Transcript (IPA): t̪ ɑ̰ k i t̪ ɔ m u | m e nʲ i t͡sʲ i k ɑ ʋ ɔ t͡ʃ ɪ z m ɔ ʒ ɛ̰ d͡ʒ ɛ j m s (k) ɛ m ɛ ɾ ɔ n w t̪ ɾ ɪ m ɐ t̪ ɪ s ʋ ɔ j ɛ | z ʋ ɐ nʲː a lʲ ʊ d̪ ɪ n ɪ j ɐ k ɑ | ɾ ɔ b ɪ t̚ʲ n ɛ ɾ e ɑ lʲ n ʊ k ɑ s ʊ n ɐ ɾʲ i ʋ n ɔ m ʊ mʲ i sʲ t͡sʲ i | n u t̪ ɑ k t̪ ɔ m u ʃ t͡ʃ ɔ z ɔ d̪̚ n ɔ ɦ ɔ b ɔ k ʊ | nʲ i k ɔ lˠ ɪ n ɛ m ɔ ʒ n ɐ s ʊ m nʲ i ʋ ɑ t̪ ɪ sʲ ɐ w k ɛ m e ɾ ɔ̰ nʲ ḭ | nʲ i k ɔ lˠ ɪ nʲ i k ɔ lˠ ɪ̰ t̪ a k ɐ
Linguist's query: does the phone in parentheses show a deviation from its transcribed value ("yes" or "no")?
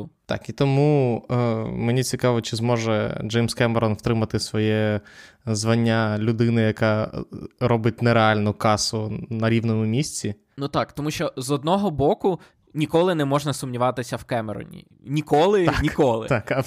no